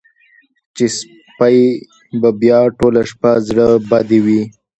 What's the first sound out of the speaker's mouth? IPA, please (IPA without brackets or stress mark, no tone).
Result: t͡ʃ